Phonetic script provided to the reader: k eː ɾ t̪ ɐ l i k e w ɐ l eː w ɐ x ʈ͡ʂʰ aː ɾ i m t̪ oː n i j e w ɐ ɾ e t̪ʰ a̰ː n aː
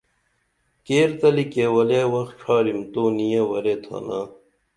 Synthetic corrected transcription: k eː ɾ t̪ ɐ l i k e w ɐ l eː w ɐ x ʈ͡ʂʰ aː ɾ i m t̪ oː n i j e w ɐ ɾ e t̪ʰ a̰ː n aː